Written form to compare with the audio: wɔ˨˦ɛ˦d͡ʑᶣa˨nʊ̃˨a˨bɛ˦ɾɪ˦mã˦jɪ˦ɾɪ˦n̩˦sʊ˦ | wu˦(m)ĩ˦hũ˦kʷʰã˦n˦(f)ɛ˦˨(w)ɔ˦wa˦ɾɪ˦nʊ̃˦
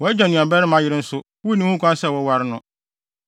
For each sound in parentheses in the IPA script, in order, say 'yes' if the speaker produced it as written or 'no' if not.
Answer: no, no, yes

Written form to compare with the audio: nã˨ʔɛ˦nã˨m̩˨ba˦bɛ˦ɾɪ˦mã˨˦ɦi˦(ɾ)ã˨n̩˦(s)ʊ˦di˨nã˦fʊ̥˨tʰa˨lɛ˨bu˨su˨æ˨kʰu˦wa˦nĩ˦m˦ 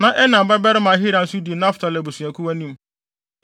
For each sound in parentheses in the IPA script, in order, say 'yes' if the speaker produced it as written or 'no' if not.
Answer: yes, yes

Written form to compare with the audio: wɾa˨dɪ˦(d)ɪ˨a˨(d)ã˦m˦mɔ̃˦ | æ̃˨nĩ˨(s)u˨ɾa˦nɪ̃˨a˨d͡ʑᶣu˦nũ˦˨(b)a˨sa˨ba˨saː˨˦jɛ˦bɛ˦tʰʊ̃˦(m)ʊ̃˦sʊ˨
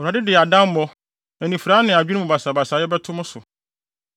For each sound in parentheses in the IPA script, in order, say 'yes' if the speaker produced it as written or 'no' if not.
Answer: yes, yes, no, yes, yes

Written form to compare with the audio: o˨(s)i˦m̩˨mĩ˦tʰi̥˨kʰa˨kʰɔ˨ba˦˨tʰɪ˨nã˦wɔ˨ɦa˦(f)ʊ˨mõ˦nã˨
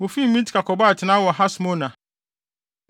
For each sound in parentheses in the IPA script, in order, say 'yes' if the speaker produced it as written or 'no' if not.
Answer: no, no

